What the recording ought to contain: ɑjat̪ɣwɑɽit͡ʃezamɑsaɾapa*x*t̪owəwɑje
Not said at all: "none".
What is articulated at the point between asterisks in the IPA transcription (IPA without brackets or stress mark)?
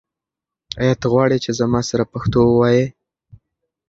x